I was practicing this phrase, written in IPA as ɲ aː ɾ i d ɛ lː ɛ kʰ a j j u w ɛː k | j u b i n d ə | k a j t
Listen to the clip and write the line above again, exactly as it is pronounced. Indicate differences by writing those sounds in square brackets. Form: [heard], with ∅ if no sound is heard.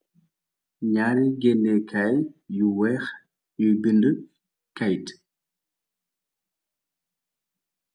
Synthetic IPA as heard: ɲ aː ɾ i [ɡ] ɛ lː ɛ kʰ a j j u w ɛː [x] | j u b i n d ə | k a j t